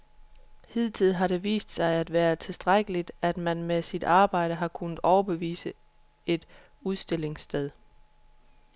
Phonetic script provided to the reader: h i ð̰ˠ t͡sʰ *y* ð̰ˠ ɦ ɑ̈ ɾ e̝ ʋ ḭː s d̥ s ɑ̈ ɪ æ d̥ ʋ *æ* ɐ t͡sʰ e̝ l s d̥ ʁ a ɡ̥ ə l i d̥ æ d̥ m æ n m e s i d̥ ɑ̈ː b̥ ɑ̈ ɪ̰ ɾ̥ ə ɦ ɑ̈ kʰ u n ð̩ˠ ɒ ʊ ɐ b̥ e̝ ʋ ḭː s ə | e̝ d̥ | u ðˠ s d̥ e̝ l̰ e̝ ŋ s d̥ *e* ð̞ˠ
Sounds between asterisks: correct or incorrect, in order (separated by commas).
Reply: incorrect, incorrect, correct